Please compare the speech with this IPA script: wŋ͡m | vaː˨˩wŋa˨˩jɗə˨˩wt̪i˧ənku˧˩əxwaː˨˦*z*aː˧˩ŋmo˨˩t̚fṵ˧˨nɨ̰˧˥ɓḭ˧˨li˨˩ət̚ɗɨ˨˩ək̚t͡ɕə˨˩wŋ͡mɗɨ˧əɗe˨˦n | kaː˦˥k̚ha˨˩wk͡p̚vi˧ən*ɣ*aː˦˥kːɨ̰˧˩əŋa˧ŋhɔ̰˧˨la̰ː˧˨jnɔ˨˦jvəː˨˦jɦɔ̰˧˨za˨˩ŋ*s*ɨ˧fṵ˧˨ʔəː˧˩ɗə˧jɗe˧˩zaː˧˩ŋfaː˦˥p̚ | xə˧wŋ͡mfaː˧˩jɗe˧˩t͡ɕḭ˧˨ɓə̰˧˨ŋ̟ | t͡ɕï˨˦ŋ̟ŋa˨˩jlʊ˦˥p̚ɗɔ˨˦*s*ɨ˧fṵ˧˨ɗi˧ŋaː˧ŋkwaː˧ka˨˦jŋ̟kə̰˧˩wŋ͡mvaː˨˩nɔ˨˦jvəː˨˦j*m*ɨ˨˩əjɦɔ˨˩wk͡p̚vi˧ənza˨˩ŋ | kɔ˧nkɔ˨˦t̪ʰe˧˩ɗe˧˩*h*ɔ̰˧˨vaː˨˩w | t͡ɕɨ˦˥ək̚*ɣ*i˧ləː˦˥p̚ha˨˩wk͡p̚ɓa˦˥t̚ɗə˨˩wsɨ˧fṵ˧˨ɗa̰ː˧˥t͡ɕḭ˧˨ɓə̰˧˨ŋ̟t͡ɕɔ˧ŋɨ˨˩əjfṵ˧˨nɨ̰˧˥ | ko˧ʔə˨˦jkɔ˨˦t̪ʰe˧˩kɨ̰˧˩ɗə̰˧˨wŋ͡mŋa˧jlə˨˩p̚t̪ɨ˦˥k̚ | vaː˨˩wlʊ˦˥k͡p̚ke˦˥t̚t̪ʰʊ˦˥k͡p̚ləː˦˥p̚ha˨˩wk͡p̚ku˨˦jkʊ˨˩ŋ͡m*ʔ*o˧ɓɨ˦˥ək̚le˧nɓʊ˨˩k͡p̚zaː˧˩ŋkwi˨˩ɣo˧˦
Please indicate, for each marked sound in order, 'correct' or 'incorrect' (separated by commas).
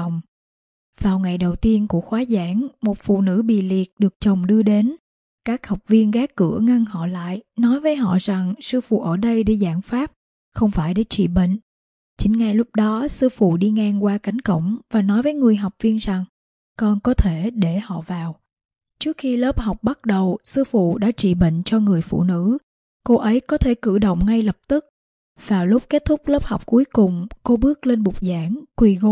correct, correct, correct, correct, incorrect, correct, incorrect, incorrect